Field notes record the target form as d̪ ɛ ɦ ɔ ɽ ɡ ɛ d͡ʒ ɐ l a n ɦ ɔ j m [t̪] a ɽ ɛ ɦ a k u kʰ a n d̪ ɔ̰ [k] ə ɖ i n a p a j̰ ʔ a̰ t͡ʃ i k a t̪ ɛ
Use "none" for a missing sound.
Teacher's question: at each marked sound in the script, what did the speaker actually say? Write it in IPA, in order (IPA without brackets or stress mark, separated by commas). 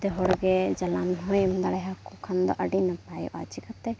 d̪, ʔ